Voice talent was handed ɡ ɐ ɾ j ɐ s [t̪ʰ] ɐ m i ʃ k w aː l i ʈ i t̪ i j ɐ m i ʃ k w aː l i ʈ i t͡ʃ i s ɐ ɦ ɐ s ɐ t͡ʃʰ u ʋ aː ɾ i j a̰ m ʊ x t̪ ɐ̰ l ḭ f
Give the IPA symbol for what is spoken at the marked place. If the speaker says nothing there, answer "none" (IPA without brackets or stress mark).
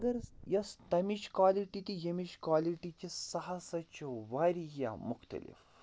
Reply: t̪